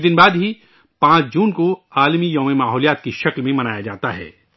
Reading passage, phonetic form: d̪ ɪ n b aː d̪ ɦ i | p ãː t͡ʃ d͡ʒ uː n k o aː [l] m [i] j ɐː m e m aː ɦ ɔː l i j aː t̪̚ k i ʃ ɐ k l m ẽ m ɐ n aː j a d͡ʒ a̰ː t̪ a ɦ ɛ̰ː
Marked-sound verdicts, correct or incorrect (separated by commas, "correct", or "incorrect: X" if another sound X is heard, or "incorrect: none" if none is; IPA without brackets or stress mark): correct, correct